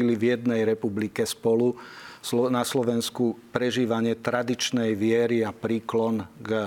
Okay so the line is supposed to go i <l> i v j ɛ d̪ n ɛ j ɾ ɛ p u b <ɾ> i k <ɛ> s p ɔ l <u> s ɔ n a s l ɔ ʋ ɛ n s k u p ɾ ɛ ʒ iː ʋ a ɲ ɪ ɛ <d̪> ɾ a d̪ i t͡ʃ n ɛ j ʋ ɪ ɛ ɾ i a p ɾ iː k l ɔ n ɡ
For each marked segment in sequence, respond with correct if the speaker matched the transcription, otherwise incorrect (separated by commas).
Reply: correct, incorrect, correct, correct, incorrect